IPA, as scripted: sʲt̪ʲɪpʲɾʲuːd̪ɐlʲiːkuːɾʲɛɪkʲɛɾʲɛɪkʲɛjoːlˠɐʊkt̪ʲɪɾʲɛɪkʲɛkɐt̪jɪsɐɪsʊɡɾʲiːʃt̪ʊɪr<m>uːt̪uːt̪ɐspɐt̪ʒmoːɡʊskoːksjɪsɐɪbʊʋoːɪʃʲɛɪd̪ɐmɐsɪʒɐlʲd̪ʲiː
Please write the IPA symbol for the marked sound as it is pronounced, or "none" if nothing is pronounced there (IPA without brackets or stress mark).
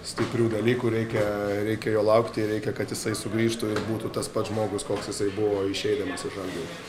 b